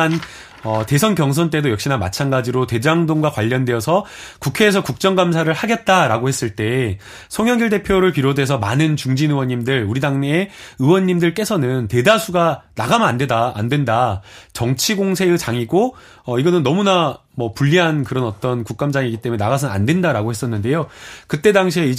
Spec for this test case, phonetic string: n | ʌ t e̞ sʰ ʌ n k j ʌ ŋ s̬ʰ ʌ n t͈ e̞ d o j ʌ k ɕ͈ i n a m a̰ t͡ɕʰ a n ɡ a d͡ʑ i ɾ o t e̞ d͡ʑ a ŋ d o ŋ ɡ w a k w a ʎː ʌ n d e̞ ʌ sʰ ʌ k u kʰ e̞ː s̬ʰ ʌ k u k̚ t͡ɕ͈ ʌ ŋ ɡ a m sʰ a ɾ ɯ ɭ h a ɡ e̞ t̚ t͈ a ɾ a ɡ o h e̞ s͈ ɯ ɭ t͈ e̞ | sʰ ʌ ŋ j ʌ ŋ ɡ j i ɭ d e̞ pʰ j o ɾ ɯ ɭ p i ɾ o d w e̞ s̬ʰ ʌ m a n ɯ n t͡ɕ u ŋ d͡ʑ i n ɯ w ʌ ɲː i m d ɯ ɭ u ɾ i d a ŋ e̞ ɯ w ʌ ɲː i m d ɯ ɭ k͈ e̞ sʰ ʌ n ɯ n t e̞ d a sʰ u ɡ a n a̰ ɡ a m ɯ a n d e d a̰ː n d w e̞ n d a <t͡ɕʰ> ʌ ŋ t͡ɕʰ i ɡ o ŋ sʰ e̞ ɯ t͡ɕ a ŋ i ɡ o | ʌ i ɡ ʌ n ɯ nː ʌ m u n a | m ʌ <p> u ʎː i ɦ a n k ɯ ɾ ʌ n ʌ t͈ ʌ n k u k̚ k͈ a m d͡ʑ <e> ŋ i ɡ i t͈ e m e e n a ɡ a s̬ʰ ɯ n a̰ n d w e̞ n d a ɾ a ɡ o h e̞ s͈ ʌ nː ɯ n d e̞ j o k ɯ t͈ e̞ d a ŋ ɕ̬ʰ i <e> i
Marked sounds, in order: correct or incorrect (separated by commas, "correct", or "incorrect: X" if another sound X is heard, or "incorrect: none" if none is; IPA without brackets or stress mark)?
incorrect: t͡ɕ, correct, incorrect: a, correct